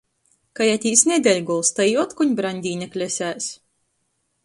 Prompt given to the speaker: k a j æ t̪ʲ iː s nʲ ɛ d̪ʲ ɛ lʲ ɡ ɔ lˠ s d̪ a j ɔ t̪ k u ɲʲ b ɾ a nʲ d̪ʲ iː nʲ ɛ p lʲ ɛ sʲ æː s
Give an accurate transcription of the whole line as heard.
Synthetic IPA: k a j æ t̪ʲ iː s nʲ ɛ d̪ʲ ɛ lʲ ɡ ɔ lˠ s t̪ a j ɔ t̪ k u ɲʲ b ɾ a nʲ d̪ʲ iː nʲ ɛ k lʲ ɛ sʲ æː s